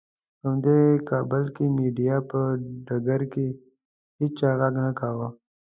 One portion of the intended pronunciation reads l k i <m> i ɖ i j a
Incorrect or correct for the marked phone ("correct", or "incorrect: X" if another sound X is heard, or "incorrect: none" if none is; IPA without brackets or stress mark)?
correct